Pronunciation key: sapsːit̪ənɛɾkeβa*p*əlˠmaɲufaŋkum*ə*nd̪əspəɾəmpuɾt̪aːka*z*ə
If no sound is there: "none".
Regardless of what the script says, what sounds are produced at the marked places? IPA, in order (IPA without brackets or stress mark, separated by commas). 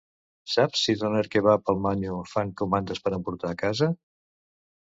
p, a, z